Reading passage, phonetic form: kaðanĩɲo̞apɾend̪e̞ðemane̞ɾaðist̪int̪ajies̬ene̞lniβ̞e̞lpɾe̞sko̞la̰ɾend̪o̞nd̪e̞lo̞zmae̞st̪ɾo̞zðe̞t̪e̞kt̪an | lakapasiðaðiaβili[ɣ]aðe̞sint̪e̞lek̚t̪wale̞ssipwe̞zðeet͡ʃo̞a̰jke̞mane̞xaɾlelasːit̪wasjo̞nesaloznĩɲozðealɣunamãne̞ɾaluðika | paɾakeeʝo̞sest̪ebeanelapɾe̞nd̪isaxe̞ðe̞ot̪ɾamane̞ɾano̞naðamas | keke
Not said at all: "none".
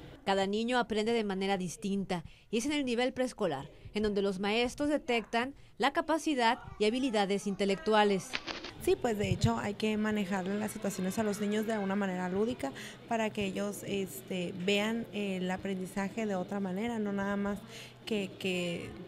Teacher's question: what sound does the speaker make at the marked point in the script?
ð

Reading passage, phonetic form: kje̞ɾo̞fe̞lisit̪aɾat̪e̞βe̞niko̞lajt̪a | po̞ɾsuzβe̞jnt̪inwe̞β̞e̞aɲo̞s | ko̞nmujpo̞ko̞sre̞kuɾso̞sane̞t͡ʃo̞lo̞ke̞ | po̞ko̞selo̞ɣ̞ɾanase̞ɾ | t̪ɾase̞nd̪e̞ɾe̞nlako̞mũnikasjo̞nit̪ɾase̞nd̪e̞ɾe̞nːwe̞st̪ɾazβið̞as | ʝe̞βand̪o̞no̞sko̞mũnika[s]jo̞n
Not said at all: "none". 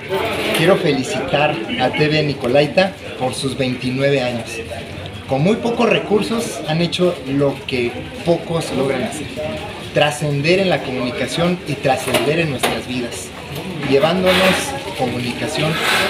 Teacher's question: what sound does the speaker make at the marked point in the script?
s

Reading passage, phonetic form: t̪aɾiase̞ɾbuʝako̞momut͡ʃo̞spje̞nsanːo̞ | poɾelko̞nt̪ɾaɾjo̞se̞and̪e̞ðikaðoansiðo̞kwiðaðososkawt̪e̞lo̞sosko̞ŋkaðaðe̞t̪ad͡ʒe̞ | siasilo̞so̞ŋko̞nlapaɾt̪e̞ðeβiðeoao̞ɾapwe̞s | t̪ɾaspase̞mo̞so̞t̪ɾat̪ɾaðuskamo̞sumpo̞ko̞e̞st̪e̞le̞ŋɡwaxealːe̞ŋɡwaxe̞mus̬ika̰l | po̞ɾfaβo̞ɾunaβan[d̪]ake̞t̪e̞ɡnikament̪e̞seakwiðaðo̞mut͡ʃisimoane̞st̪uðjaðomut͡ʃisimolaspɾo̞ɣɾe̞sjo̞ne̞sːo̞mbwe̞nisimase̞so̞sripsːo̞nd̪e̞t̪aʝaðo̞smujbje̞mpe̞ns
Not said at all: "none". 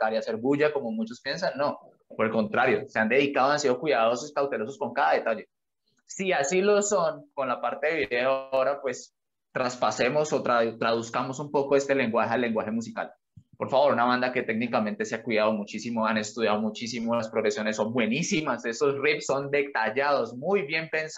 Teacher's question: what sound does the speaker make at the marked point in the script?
d̪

